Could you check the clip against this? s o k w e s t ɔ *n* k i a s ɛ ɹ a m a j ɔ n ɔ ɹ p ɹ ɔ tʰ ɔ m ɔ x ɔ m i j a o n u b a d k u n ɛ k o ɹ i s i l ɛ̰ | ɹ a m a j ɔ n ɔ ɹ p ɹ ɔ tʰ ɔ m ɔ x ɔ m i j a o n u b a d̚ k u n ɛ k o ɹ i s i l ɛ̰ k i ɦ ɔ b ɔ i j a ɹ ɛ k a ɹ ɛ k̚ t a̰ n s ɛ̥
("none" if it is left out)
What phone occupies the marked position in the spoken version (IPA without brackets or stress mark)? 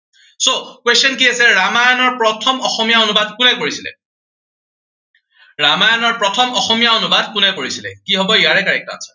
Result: n